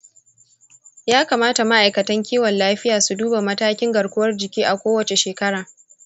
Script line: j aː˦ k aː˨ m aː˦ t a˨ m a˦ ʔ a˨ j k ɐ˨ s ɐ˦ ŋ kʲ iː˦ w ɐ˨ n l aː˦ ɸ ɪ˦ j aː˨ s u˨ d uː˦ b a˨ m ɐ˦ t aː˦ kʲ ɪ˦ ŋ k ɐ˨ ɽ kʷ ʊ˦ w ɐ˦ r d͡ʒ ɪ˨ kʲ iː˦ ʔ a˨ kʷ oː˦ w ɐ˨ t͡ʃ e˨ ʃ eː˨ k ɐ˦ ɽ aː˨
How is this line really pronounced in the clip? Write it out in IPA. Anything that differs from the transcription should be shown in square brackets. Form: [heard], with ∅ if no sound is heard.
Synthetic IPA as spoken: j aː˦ k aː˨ m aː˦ t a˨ m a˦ ʔ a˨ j k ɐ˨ [t] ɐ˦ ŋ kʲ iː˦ w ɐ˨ n l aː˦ ɸ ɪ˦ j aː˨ s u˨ d uː˦ b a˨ m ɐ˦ t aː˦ kʲ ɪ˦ ŋ [ɡ] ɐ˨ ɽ kʷ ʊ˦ w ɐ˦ r d͡ʒ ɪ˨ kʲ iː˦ ʔ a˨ kʷ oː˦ w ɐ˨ t͡ʃ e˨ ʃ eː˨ k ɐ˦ ɽ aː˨